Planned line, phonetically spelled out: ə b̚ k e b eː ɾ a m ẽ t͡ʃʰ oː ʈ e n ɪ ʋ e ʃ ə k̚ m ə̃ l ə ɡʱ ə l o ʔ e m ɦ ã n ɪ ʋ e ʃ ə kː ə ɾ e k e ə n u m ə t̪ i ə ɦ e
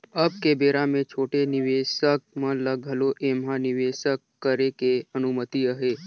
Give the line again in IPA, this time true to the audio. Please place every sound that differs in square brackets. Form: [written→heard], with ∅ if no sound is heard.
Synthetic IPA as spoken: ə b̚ k e b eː ɾ a m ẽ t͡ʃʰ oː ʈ e n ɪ ʋ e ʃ ə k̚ m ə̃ l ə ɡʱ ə l o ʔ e m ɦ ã n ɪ ʋ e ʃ ə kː ə ɾ e k e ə n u m ə t̪ i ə ɦ e